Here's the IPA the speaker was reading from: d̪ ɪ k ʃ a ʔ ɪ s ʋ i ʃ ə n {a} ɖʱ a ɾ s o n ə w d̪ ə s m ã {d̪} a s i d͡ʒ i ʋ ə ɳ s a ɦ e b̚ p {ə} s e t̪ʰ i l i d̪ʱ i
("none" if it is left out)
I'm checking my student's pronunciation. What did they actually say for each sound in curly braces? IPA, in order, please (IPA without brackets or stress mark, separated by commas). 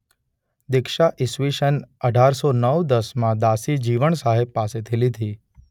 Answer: ə, d̪, a